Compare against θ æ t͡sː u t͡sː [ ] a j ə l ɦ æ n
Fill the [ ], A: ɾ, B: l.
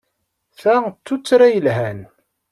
A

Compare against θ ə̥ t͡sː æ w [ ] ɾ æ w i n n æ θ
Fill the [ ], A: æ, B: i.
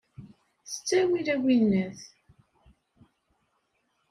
B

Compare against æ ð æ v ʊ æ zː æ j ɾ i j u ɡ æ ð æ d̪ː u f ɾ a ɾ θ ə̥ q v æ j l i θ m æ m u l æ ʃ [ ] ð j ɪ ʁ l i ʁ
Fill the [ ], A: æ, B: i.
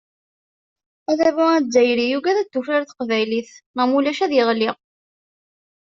A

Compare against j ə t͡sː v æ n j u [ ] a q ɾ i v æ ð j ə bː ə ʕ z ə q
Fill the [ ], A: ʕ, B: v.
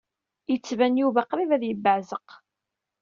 B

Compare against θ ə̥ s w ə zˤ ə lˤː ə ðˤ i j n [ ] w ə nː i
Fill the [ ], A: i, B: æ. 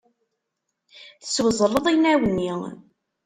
B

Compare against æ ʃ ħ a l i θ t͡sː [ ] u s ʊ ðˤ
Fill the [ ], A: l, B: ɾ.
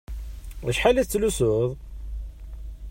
A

